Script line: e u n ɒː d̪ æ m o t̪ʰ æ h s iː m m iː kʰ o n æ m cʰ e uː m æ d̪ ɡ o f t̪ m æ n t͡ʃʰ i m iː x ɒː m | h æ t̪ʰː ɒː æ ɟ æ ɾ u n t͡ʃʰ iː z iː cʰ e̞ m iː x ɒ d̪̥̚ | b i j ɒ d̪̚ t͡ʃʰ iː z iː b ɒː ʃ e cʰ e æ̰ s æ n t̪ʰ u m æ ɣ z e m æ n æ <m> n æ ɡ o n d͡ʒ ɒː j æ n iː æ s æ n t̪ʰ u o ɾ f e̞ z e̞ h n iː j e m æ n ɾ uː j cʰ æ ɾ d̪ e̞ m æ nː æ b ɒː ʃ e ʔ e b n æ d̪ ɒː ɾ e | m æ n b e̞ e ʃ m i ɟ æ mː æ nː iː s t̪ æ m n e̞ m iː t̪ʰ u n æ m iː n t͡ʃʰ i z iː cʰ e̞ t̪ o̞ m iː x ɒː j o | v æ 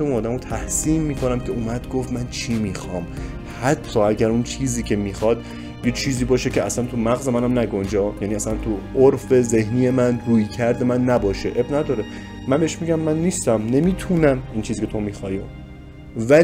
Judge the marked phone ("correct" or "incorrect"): correct